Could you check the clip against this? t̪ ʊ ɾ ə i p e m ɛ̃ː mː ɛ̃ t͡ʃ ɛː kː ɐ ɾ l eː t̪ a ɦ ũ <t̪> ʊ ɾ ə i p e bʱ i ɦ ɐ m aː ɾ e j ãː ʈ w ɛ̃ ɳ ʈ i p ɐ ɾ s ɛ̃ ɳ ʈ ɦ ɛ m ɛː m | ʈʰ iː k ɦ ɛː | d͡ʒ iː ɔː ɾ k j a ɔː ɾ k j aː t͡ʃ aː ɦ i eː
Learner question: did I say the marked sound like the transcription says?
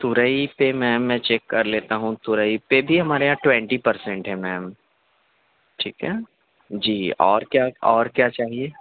yes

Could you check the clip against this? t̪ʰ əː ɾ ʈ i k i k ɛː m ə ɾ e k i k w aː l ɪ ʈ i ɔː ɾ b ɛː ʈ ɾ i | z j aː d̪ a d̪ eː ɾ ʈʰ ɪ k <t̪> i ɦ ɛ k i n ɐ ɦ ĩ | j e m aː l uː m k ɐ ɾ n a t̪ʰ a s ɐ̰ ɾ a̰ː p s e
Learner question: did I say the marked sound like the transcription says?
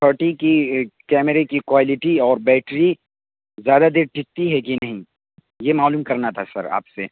yes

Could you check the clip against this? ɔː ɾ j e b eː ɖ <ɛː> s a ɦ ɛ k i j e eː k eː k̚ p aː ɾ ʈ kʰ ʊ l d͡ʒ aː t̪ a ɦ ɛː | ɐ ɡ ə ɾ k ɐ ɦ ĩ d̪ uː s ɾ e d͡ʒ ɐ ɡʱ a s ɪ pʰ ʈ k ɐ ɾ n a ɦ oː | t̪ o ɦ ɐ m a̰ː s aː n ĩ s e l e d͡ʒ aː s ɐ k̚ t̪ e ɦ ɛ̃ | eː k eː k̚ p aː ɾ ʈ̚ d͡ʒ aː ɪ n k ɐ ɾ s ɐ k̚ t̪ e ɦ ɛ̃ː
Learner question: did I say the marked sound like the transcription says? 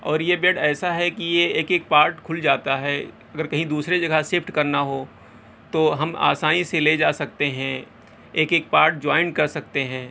yes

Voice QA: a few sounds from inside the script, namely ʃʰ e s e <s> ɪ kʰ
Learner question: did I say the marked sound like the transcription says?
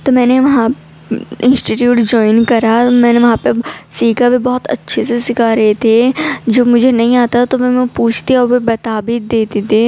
yes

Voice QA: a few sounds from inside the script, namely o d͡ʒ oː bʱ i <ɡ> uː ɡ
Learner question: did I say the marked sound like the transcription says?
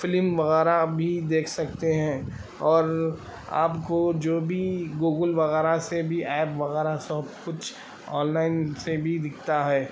yes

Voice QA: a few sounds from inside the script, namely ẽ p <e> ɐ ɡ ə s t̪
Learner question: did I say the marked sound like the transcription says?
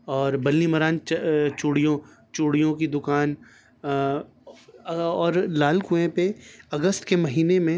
yes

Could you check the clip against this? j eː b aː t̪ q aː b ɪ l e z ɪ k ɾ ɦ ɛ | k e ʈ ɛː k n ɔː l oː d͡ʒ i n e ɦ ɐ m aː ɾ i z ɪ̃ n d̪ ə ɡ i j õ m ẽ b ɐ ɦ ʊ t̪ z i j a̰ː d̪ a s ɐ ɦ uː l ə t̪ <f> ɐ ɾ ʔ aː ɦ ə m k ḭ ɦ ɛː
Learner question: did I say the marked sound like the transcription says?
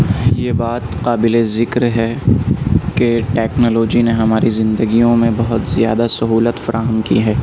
yes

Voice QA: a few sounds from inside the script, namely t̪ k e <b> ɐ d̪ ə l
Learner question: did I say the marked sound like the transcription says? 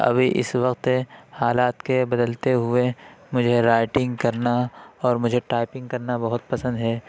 yes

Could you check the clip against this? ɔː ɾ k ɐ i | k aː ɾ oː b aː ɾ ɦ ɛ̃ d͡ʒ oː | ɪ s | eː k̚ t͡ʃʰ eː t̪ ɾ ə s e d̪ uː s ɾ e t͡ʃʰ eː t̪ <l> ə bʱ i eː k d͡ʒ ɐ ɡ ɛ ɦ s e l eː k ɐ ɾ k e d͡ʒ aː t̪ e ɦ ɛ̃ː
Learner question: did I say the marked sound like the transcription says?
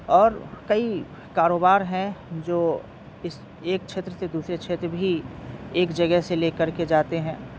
no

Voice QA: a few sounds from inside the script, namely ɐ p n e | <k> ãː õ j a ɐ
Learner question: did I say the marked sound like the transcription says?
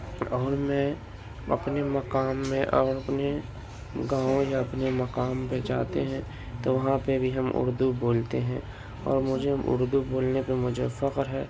no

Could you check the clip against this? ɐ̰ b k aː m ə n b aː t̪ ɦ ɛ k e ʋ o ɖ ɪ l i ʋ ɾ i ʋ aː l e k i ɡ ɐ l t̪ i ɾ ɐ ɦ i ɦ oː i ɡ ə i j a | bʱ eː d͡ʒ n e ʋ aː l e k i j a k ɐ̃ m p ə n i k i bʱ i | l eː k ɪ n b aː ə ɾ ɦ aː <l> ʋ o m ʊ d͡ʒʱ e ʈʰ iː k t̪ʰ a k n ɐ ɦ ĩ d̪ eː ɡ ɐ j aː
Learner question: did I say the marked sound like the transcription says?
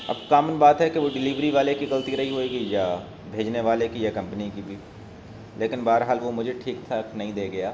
yes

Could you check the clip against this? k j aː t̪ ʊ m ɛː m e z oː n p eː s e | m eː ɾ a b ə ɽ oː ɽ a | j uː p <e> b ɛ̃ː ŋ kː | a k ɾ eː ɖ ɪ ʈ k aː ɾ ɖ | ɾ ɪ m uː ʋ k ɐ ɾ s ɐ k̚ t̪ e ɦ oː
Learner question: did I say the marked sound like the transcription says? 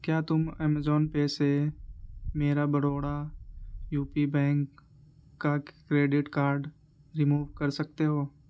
no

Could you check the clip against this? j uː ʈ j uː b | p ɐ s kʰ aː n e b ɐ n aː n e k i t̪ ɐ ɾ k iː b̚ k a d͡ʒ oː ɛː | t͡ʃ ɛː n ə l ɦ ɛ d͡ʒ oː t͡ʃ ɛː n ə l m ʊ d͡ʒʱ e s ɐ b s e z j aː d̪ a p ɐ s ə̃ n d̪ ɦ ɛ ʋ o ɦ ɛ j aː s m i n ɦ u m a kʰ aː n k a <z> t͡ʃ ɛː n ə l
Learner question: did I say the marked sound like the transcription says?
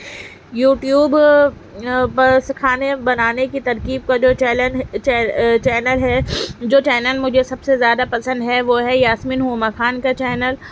no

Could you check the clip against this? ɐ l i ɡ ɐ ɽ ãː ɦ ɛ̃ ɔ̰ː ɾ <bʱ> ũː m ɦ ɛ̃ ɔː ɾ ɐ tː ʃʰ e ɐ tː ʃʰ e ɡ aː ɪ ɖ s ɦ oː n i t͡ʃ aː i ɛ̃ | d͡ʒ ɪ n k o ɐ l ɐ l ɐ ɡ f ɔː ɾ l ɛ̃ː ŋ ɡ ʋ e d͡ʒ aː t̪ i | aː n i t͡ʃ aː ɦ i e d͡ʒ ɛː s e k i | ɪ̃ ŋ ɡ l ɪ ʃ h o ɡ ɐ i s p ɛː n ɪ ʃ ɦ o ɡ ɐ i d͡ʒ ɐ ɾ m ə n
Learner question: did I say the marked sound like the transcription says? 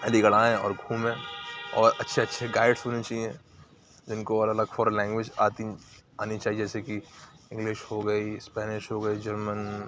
no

